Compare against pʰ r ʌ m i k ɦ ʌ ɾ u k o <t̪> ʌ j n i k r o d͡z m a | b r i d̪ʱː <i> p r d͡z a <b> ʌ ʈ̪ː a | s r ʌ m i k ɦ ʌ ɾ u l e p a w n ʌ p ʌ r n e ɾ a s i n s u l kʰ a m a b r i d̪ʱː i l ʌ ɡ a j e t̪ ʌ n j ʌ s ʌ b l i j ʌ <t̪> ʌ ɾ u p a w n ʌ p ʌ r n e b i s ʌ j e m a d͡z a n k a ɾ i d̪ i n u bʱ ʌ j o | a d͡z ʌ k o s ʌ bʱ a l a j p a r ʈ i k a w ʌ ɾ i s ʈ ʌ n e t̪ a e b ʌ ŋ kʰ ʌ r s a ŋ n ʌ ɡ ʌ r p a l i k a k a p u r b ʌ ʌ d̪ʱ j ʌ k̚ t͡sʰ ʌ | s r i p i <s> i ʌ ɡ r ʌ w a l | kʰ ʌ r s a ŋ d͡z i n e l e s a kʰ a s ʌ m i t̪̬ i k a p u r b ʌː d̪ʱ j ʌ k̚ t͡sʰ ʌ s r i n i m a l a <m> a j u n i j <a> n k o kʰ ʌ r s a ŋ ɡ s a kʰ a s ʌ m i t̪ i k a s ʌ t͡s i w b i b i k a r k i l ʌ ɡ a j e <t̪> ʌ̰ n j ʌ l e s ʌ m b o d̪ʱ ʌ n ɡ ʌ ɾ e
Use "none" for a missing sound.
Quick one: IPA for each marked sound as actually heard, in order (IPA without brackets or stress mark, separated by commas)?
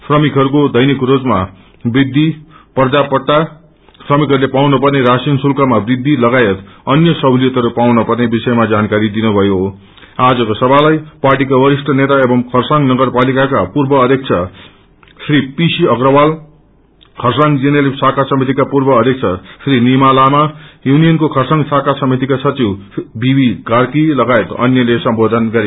d̪, i, p, t̪, s, m, ʌ, t̪